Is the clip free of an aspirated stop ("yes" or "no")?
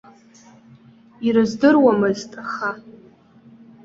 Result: yes